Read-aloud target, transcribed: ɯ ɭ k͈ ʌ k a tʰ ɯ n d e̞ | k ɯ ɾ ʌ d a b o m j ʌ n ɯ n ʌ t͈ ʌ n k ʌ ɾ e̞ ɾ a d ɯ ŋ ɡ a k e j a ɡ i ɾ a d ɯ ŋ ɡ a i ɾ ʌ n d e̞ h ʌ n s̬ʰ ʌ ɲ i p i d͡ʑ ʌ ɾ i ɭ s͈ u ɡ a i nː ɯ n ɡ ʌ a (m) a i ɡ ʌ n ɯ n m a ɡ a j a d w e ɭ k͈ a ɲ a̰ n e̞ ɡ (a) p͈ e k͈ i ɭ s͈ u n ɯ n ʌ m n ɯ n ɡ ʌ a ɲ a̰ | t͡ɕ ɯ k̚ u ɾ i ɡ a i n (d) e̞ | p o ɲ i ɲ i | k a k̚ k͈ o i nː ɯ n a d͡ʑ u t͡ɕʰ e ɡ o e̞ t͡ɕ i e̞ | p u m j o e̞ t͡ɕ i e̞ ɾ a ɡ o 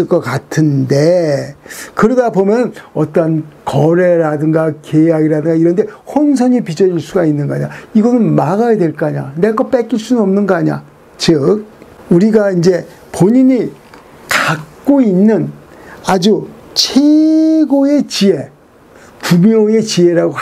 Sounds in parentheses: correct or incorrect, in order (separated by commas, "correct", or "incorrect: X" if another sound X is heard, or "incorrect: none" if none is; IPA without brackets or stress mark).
incorrect: ɲ, incorrect: ʌ, incorrect: d͡ʑ